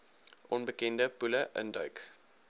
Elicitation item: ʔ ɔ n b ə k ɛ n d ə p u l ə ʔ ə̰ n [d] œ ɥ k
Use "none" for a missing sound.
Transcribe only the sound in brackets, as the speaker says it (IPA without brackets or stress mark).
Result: d